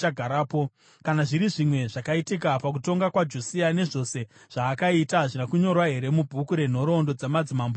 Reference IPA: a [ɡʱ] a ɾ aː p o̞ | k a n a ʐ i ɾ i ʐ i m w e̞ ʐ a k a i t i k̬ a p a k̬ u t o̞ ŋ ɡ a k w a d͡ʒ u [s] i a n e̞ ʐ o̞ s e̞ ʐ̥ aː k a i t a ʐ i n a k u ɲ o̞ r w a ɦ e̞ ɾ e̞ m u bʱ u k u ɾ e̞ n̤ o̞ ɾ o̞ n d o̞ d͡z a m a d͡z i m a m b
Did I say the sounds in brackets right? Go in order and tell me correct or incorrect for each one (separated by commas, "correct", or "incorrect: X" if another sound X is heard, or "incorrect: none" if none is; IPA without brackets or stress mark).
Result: correct, correct